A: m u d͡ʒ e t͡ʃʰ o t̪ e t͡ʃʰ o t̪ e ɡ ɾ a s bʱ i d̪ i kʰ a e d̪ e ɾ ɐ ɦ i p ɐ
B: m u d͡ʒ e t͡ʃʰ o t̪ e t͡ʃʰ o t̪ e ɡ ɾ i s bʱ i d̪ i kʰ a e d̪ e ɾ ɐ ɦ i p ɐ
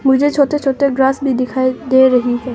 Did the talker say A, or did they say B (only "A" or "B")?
A